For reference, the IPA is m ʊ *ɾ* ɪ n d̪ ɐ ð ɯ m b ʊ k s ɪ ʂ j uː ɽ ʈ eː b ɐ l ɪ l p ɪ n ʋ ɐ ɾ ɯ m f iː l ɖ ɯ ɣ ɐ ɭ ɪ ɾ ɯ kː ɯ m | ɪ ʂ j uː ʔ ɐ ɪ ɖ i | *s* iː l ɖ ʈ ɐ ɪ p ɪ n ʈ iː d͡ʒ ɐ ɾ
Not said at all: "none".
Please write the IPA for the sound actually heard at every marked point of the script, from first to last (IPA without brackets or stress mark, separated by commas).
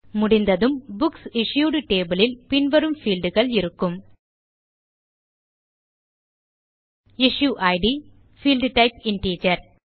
ɽ, f